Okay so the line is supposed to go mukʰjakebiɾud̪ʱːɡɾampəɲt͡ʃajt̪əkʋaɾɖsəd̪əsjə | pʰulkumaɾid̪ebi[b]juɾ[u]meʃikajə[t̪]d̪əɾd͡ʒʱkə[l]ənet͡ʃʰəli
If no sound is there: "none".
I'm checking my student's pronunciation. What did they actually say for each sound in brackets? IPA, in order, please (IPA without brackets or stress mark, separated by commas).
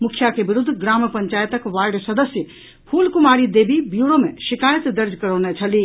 b, o, t̪, ɾ